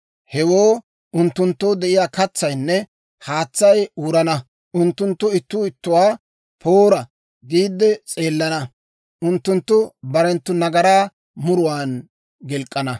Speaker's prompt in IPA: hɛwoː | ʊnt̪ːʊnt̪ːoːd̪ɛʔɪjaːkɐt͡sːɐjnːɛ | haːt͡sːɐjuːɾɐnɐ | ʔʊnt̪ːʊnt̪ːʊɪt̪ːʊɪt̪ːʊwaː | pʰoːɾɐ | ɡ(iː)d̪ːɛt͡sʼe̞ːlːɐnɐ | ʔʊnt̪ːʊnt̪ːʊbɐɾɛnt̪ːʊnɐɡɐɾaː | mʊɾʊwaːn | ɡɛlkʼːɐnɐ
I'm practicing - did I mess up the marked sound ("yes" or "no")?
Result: no